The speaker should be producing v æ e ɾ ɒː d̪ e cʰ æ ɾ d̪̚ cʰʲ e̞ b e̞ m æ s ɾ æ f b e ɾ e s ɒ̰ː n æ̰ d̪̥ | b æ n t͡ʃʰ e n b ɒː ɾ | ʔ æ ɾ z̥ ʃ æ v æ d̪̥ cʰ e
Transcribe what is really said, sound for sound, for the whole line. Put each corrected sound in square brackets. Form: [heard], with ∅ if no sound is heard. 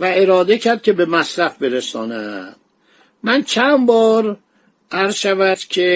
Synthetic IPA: v æ e ɾ ɒː d̪ e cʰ æ ɾ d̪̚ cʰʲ e̞ b e̞ m æ s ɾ æ f b e ɾ e s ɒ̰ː n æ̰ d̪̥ | [m] æ n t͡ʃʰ [æ] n b ɒː ɾ | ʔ æ ɾ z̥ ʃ æ v æ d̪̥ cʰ e